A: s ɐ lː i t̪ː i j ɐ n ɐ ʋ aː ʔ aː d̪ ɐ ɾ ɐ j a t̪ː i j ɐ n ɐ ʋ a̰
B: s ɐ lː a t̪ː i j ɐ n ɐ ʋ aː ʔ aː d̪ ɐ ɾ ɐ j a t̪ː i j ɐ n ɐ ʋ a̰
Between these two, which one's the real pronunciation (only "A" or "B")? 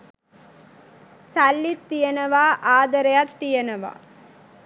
A